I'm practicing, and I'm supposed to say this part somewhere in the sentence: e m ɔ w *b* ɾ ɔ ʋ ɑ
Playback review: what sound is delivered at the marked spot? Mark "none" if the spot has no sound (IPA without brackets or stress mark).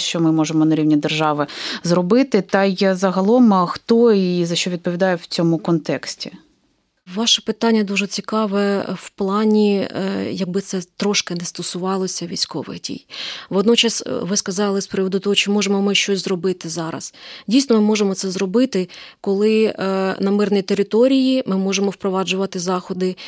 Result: p